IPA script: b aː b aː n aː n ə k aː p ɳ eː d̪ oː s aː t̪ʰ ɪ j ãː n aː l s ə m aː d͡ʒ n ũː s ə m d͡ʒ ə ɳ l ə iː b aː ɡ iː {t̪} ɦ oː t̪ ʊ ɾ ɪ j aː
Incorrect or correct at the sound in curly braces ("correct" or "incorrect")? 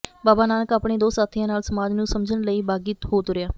correct